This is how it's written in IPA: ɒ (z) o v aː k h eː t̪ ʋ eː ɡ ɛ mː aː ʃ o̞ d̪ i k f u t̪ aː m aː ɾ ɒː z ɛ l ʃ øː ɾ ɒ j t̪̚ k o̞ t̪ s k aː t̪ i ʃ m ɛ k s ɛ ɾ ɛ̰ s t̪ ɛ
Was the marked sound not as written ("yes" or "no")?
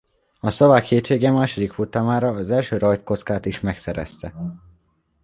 yes